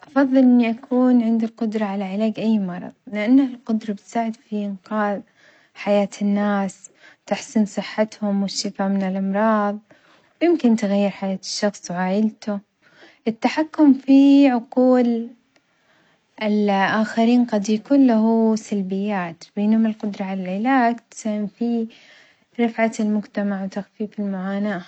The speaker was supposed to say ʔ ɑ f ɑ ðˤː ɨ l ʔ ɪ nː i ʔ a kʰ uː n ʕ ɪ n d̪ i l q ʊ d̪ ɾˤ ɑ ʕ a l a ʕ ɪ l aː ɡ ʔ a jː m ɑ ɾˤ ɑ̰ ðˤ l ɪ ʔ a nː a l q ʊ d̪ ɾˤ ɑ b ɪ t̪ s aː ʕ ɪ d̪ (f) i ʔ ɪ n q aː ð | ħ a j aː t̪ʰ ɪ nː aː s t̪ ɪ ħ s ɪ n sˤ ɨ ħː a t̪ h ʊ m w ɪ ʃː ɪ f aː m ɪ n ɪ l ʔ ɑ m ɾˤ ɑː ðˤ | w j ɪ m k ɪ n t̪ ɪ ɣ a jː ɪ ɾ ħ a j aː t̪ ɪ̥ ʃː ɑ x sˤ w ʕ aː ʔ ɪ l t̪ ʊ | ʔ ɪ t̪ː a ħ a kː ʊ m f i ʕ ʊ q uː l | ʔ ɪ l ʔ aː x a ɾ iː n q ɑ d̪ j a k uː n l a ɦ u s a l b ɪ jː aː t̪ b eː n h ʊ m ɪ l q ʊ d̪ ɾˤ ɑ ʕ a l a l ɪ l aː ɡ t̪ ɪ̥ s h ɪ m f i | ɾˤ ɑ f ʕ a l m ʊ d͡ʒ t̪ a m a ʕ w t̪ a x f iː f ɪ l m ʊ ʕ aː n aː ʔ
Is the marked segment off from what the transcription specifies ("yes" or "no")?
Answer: no